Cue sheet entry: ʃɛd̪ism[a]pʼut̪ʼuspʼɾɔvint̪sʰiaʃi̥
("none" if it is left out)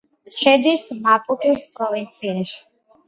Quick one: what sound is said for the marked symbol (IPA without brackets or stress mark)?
a